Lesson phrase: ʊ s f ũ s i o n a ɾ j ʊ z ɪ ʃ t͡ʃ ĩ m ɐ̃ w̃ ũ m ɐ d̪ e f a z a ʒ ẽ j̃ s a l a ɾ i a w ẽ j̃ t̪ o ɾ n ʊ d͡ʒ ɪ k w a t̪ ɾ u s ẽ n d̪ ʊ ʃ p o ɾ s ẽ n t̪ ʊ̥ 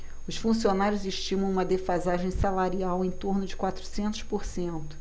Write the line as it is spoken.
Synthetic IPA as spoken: ʊ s f ũ s i o n a ɾ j ʊ z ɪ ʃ t͡ʃ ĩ m ɐ̃ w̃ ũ m ɐ d̪ e f a z a ʒ ẽ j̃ s a l a ɾ i a w ẽ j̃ t̪ o ɾ n ʊ d͡ʒ ɪ k w a t̪ ɾ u s ẽ n t̪ ʊ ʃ p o ɾ s ẽ n t̪ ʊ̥